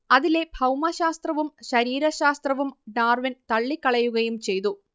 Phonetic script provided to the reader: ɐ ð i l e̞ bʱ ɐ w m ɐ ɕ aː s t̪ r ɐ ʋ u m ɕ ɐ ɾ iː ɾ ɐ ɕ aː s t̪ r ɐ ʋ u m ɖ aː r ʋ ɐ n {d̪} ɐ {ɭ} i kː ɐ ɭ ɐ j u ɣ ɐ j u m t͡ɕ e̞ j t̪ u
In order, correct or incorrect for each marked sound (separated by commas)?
incorrect, incorrect